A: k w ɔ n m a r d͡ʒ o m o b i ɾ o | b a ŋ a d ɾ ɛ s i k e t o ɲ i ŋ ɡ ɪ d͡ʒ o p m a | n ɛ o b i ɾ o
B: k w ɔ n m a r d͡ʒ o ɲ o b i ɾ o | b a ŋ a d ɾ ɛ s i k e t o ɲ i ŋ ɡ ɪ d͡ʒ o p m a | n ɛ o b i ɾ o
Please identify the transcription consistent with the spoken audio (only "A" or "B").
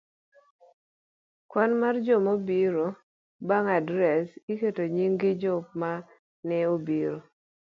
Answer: A